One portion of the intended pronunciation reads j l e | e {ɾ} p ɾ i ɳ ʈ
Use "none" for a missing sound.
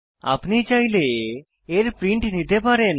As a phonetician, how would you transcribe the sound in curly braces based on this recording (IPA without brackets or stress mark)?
ɾ